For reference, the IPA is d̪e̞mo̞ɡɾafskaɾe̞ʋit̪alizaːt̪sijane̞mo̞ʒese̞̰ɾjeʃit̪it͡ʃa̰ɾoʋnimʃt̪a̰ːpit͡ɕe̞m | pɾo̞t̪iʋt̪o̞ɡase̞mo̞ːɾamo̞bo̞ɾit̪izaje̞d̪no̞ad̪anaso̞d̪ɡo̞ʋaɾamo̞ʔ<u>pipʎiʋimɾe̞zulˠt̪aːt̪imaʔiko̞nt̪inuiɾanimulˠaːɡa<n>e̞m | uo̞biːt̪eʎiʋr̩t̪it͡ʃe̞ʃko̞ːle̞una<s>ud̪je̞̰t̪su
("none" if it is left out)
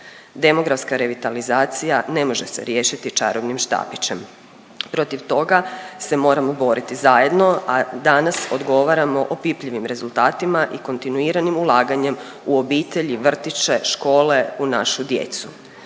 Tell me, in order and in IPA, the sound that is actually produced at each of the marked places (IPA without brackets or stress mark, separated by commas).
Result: o, ɲ, ʃ